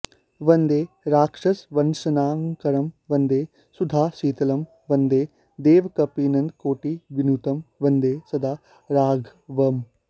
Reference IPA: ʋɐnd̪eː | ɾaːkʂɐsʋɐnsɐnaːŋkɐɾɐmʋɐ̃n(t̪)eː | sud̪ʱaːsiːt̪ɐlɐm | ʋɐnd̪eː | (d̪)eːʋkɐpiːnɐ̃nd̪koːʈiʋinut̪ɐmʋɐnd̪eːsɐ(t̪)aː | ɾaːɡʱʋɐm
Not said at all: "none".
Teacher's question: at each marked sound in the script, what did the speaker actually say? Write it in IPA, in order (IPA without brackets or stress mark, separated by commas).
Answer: d̪, d̪, d̪